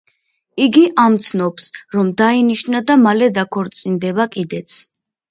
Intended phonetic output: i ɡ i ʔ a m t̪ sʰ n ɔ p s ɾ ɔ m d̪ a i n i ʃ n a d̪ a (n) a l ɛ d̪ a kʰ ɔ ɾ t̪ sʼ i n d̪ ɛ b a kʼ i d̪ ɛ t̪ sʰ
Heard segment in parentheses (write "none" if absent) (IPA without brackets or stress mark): m